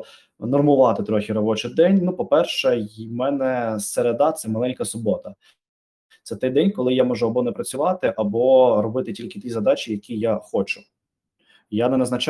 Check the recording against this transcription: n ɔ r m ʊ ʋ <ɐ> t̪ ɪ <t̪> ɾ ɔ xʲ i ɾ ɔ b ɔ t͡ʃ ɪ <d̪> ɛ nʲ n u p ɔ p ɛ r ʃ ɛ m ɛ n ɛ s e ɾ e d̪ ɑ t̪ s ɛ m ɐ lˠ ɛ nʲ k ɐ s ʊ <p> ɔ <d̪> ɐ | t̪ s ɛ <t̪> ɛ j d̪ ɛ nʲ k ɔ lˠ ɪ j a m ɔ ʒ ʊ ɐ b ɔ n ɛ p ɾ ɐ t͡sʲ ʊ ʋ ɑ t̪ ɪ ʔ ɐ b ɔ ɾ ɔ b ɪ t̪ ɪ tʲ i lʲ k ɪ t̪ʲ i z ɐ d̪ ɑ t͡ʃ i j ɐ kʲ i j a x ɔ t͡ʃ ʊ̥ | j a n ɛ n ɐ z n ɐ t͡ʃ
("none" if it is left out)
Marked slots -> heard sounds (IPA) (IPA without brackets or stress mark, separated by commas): ɑ, t̪, d̪, b, t̪, t̪